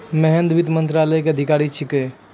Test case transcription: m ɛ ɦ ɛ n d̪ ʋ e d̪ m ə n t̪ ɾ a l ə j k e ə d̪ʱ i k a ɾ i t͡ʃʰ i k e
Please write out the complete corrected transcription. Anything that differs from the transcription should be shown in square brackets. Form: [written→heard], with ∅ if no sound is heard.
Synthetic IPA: m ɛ ɦ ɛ n d̪ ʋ [e→i] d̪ m ə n t̪ ɾ a l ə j k e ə d̪ʱ i k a ɾ i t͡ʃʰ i k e